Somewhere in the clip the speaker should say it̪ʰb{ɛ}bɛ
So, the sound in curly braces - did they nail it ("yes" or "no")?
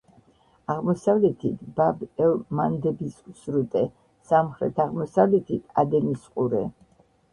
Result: no